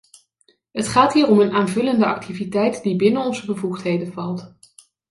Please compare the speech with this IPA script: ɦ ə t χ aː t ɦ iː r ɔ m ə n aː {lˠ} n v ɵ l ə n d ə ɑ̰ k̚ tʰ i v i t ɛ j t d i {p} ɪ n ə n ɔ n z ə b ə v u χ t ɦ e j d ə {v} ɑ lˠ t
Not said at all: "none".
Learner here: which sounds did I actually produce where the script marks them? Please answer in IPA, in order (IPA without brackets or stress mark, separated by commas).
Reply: none, b, v